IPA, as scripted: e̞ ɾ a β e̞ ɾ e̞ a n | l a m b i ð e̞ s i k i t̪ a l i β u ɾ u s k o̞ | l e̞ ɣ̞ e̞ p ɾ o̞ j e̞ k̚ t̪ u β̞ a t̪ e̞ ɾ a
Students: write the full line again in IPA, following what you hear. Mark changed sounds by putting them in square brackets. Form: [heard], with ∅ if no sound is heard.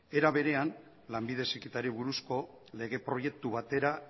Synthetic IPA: e̞ ɾ a β e̞ ɾ e̞ a n | l a m b i ð e̞ s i k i t̪ a [ɾ] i β u ɾ u s k o̞ | l e̞ ɣ̞ e̞ p ɾ o̞ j e̞ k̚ t̪ u β̞ a t̪ e̞ ɾ a